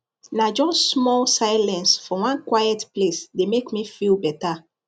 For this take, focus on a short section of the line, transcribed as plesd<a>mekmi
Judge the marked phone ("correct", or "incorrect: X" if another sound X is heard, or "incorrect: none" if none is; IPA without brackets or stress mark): incorrect: e